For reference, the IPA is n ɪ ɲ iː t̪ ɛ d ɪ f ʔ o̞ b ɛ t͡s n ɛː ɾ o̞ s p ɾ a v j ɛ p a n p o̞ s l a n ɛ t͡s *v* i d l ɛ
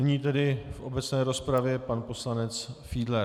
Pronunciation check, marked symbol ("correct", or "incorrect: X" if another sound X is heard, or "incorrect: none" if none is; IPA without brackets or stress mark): incorrect: f